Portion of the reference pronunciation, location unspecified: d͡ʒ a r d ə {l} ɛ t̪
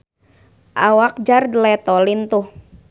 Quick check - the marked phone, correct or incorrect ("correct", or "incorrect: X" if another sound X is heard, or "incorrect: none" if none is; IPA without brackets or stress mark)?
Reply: correct